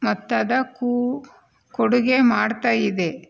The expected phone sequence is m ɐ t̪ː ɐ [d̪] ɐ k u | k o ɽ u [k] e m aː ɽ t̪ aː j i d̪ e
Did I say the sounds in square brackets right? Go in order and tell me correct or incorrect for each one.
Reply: correct, incorrect: ɡ

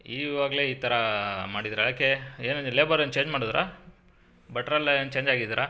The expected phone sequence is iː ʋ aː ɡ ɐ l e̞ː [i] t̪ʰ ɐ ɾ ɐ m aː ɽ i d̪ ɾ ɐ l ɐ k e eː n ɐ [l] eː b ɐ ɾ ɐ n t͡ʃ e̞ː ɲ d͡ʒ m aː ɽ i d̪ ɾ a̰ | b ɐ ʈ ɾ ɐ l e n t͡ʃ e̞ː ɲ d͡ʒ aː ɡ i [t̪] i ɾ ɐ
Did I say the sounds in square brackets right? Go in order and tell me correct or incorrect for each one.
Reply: incorrect: iː, correct, incorrect: d̪

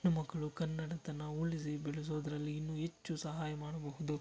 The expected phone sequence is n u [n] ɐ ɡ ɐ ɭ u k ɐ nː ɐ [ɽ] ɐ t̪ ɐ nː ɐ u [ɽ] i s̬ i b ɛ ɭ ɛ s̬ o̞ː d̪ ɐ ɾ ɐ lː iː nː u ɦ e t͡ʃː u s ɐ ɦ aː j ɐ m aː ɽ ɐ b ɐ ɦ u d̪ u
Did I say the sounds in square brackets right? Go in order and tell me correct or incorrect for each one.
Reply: incorrect: m, correct, incorrect: ɭ

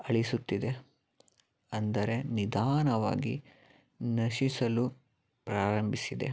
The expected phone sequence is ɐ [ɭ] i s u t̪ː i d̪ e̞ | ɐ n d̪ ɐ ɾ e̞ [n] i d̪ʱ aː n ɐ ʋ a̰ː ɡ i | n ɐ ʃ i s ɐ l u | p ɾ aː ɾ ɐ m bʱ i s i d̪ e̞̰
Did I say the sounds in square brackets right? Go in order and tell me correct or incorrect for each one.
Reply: correct, correct

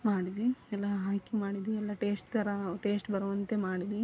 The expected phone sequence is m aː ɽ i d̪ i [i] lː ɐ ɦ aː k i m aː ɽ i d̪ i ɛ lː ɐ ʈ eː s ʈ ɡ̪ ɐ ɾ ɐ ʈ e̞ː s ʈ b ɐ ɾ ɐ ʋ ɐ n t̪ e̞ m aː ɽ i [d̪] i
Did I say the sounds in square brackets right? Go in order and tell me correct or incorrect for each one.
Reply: incorrect: ɛ, correct

